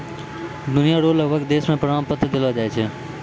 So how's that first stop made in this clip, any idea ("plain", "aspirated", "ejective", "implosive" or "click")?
plain